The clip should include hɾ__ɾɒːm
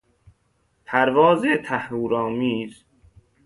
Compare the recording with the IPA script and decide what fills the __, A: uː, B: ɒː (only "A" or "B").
A